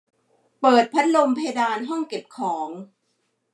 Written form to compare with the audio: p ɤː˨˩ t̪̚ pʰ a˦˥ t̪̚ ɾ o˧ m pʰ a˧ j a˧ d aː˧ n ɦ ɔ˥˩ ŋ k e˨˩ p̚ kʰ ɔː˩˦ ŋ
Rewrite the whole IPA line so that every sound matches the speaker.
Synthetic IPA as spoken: p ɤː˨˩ t̪̚ pʰ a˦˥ t̪̚ l o˧ m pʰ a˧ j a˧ d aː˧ n ɦ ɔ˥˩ ŋ k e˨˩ p̚ kʰ ɔː˩˦ ŋ

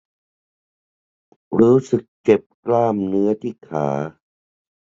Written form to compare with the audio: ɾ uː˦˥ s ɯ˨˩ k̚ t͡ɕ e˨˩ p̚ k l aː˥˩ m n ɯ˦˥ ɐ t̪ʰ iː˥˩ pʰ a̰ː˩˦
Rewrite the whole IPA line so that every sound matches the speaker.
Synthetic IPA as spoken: ɾ uː˦˥ s ɯ˨˩ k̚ t͡ɕ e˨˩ p̚ k l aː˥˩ m n ɯ˦˥ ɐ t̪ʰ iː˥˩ kʰ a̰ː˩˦

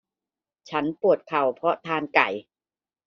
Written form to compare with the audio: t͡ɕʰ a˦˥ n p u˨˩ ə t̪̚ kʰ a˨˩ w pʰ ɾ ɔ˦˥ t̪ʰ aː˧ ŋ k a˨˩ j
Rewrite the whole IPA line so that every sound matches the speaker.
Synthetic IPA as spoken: t͡ɕʰ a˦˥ n p u˨˩ ə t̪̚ kʰ a˨˩ w pʰ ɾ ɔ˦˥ t̪ʰ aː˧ n k a˨˩ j

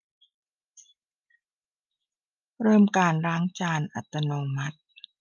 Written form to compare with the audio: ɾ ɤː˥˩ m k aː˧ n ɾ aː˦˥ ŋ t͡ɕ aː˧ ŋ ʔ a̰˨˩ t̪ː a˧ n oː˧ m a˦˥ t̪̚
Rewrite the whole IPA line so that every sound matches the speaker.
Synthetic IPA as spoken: ɾ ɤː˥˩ m k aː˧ n ɾ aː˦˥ ŋ t͡ɕ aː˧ n ʔ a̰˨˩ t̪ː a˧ n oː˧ m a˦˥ t̪̚

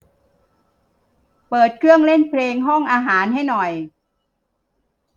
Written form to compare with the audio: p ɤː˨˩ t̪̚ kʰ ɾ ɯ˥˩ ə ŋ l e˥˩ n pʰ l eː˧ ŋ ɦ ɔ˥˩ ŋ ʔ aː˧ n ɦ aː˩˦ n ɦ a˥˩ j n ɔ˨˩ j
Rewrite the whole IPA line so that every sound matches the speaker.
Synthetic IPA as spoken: p ɤː˨˩ t̪̚ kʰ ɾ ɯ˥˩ ə ŋ l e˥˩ n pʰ l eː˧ ŋ ɦ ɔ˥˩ ŋ ʔ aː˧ ɦ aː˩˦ n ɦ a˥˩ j n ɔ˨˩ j

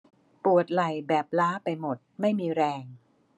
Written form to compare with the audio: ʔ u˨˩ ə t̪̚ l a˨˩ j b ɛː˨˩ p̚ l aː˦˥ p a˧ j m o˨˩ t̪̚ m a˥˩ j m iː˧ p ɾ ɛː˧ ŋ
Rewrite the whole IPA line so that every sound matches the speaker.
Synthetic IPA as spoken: p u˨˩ ə t̪̚ l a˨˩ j b ɛː˨˩ p̚ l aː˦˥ p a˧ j m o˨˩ t̪̚ m a˥˩ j m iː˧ ɾ ɛː˧ ŋ

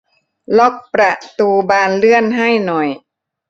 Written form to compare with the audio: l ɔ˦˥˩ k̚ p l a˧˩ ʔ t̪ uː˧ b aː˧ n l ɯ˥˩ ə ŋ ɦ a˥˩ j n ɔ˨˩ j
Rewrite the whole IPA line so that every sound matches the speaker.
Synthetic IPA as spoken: l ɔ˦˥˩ k̚ p ɾ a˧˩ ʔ t̪ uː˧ b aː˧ n l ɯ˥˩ ə n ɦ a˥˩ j n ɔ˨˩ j

